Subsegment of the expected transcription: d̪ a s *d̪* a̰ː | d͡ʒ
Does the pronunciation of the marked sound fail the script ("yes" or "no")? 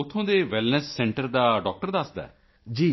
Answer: no